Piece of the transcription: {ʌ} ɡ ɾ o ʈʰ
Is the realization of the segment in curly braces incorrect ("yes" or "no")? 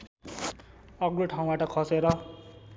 no